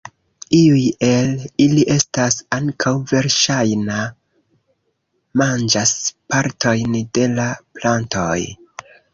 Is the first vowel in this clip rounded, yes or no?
no